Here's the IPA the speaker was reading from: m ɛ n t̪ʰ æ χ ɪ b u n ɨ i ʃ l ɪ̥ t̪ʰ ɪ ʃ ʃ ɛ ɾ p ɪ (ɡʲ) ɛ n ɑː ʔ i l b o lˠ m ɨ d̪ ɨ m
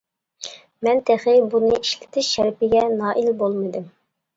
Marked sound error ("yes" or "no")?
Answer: no